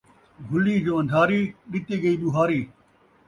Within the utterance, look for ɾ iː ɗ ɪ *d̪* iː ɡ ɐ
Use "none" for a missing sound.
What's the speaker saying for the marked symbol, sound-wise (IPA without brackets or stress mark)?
t̪